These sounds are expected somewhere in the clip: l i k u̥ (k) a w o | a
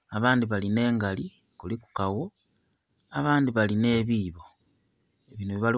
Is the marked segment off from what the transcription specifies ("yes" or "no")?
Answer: no